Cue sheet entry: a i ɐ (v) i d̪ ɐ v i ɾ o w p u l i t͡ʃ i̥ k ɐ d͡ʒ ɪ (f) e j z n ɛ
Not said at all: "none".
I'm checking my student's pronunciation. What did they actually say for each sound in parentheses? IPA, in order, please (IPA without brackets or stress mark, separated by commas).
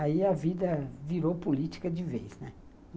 v, v